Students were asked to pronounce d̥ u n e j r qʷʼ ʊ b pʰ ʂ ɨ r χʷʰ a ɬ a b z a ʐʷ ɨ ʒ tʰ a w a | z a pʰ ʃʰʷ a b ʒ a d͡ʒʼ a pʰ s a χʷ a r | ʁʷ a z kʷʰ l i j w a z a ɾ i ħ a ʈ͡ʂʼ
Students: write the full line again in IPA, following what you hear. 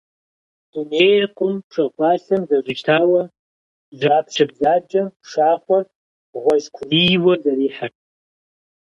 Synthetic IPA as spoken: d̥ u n e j r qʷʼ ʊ m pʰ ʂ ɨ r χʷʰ a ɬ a m z a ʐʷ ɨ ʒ tʰ a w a | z a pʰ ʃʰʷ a b z a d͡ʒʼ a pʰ ʂ a χʷ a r | ʁʷ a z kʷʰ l i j w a z a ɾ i ħ a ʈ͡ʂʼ